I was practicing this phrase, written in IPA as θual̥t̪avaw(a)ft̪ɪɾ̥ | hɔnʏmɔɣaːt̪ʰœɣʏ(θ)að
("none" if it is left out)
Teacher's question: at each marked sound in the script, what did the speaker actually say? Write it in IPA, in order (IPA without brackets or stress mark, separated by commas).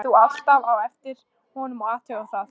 ɛ, θ